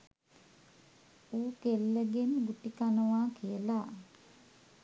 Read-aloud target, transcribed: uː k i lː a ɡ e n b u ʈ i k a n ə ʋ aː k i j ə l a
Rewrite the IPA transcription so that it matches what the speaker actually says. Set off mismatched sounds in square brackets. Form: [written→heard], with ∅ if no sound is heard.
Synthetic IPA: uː k [i→e] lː [a→ə] ɡ e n [b→ɡ] u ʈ i k a n ə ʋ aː k i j ə l a